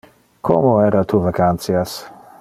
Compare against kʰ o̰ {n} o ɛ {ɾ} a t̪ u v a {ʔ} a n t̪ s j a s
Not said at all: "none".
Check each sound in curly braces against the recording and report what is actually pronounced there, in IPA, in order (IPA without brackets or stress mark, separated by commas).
m, ɾ, k